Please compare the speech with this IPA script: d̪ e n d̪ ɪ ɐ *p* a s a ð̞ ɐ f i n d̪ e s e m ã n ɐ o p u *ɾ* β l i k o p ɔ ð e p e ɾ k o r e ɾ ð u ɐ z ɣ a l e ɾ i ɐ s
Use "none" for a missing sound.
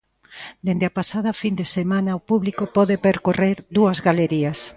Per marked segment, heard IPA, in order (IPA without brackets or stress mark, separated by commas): p, none